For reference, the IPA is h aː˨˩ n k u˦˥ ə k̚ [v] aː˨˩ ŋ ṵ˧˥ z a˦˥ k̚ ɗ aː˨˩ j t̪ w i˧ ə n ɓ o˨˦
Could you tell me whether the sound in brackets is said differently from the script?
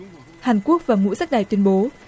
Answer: no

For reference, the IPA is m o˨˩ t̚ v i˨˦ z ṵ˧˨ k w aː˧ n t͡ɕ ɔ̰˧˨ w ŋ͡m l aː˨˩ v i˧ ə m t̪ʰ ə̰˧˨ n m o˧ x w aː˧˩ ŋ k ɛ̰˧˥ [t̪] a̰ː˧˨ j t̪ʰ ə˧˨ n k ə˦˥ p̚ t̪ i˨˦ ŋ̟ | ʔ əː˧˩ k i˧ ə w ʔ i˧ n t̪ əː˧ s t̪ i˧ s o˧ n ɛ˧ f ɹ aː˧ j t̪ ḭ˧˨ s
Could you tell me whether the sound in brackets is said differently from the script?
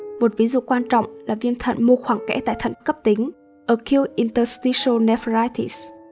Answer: no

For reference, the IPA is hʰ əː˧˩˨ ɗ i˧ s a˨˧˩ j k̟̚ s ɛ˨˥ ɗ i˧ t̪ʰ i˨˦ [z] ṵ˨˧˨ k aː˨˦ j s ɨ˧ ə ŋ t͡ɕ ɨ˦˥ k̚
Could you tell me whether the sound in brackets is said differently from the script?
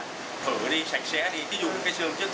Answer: no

